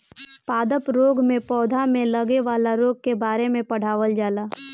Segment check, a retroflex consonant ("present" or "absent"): present